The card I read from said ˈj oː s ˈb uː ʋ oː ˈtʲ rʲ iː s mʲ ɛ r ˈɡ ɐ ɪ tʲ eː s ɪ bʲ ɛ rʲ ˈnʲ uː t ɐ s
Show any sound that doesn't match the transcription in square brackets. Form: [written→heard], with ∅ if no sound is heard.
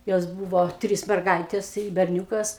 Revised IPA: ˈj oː s ˈb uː ʋ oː ˈtʲ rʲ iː s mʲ ɛ r ˈɡ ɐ ɪ tʲ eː s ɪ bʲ ɛ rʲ ˈnʲ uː [t→k] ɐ s